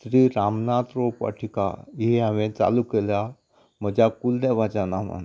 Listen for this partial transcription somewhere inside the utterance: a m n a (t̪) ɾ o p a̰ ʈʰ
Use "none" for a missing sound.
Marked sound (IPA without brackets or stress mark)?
t̪